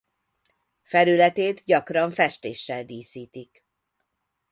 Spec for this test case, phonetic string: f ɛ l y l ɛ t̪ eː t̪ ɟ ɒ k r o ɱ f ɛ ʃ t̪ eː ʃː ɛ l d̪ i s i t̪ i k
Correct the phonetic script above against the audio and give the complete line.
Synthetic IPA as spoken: f ɛ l y l ɛ t̪ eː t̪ ɟ ɒ k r ɒ ɱ f ɛ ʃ t̪ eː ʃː ɛ l d̪ iː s iː t̪ i k